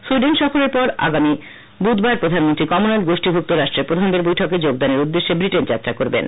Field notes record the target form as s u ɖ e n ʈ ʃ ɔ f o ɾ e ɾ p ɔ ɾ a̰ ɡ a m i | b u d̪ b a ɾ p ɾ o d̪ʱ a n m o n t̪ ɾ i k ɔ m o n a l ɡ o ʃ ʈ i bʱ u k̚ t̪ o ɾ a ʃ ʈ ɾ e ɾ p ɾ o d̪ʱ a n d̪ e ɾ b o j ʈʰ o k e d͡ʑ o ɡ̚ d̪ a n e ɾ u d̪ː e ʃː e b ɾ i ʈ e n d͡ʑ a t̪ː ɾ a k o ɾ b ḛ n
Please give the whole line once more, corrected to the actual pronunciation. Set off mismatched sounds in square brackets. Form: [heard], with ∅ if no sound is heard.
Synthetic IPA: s u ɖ e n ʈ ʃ ɔ f o ɾ e ɾ p ɔ ɾ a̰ ɡ a m i | b u d̪ b a ɾ p ɾ o d̪ʱ a n m o n t̪ ɾ i k ɔ m o n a l ɡ o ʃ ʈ i bʱ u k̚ t̪ o ɾ a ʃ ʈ ɾ e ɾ p ɾ o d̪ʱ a n d̪ e ɾ b o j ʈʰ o k e d͡ʑ o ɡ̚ d̪ a n e ɾ u d̪ː e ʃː e b ɾ i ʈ e n d͡ʑ a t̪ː ɾ a k o ɾ b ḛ n